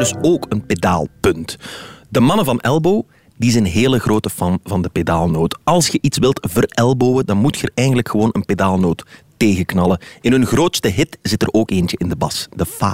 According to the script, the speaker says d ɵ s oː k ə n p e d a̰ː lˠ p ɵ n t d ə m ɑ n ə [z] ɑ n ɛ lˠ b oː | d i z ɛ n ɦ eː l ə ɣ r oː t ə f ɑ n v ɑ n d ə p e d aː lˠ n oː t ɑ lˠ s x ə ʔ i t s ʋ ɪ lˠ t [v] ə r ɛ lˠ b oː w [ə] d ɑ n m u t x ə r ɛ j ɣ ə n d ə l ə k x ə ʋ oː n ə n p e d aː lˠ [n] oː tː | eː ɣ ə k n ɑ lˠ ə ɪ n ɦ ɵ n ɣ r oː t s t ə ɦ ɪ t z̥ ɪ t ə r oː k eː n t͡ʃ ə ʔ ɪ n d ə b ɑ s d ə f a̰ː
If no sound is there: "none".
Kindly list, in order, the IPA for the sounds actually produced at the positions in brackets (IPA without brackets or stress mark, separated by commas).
v, v, ə, n